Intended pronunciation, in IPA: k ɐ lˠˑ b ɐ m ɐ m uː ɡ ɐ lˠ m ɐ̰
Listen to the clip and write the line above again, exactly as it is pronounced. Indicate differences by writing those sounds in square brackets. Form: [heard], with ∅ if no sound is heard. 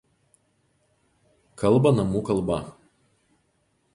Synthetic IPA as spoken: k ɐ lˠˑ b ɐ [n] ɐ m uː [k] ɐ lˠ [b] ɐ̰